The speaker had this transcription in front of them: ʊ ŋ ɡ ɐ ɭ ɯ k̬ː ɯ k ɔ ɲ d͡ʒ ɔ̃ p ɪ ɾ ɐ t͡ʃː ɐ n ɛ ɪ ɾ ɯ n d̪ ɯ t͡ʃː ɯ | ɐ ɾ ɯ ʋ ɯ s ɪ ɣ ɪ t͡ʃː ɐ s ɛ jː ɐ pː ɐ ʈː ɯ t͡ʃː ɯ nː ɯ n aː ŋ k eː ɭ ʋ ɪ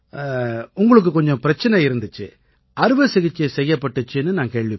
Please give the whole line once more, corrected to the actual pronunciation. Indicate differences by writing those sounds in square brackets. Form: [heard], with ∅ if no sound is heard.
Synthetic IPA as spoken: ʊ ŋ ɡ ɐ ɭ ɯ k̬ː ɯ k ɔ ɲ d͡ʒ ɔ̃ p ɪ ɾ ɐ t͡ʃː ɐ n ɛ ɪ ɾ ɯ n d̪ ɯ t͡ʃː ɯ | ɐ ɾ ɯ ʋ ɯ s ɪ ɣ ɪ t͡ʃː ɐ s ɛ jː ɐ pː ɐ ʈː ɯ t͡ʃː ɯ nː ɯ n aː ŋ k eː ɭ ʋ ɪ